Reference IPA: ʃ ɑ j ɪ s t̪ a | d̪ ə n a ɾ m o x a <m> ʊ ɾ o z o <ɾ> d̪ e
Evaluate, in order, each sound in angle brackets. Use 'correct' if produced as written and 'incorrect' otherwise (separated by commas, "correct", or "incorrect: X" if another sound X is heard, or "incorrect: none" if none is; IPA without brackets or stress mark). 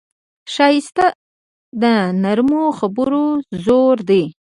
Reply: incorrect: b, correct